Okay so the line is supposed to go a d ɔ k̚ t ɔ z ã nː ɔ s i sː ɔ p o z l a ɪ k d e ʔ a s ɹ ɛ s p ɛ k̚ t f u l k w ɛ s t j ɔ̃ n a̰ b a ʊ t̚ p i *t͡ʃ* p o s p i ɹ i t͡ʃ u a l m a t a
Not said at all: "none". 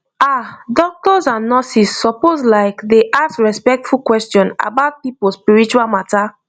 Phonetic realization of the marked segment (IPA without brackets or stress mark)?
none